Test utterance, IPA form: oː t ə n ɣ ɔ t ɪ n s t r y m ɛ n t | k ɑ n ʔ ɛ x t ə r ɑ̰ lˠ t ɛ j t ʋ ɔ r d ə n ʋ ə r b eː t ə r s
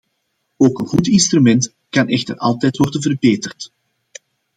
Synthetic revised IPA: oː k ə n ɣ u t ɪ n s t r y m ɛ n t | k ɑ n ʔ ɛ x t ə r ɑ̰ lˠ t ɛ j t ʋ ɔ r d ə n v ə r b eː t ə r t